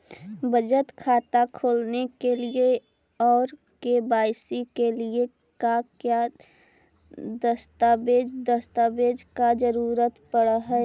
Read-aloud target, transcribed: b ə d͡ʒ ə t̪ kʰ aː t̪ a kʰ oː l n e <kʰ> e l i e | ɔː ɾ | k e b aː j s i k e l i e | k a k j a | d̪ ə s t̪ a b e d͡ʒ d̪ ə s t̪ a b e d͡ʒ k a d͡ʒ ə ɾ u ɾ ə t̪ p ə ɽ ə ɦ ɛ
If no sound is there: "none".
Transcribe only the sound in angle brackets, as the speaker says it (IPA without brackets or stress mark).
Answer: k